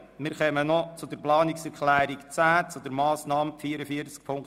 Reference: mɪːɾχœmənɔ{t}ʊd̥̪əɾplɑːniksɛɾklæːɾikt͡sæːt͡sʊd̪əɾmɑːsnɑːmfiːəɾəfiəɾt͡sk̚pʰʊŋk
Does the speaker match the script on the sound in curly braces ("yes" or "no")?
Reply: no